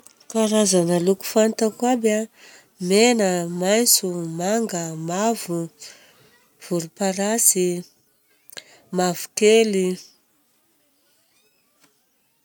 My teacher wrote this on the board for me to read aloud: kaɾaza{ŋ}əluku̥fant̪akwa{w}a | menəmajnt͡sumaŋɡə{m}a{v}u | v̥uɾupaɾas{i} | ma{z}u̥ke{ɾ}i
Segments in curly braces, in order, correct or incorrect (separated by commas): incorrect, incorrect, correct, correct, correct, incorrect, incorrect